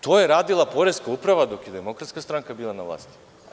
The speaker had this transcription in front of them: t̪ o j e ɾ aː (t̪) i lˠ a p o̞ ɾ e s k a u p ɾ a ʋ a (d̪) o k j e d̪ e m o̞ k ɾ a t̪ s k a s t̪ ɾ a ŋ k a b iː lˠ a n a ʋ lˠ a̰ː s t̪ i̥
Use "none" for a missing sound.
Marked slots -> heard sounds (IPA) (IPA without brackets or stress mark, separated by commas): d̪, d̪